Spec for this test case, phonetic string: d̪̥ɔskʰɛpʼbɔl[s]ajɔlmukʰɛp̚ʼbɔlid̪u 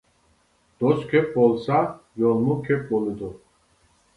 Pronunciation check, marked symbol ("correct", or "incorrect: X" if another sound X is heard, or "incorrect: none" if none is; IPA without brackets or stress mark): correct